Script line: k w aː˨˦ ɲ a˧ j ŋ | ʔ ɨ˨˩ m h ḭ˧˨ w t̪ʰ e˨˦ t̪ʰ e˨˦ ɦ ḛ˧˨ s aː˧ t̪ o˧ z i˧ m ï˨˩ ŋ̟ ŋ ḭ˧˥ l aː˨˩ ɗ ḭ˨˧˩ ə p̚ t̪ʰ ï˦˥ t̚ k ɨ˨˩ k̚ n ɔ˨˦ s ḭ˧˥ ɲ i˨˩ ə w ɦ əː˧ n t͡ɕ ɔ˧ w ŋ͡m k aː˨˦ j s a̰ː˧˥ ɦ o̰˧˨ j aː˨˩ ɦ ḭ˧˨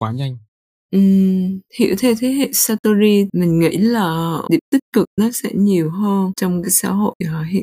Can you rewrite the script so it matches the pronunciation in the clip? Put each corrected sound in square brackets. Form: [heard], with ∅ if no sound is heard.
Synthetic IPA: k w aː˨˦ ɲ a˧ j ŋ | ʔ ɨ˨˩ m h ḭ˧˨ w t̪ʰ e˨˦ t̪ʰ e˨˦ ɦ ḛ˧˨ s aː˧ t̪ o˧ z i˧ m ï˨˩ ŋ̟ ŋ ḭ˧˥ l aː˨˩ ɗ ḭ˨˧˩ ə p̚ [t̪] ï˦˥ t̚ k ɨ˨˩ k̚ n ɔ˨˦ s [ɛ̰˧˥] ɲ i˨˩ ə w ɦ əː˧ n t͡ɕ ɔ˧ w ŋ͡m k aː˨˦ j s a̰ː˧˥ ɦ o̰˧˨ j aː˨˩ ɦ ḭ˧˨